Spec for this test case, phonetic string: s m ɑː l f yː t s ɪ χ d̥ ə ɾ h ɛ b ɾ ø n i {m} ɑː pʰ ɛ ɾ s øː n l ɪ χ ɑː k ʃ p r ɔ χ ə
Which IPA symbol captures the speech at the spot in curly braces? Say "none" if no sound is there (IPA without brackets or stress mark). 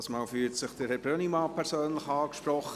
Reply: m